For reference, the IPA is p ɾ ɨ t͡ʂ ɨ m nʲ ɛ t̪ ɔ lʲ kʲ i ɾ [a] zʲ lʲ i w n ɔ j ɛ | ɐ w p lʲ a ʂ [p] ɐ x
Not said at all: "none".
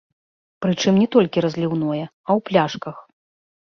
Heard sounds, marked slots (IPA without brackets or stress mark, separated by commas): ɐ, k